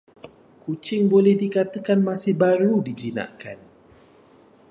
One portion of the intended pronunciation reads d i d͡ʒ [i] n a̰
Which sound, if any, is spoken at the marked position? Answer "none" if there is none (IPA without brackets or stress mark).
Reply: i